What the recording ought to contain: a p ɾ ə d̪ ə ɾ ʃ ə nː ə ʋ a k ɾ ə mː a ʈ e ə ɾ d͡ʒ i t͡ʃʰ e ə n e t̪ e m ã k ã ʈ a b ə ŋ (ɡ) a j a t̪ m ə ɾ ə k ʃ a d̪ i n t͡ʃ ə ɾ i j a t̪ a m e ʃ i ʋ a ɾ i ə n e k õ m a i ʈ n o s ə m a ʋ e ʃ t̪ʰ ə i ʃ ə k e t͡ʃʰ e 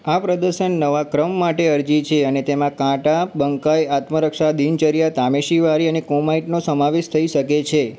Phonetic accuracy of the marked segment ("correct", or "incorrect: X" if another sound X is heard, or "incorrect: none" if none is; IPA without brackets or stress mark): incorrect: k